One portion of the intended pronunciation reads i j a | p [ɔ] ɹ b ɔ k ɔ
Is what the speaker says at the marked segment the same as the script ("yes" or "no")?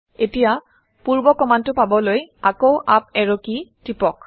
no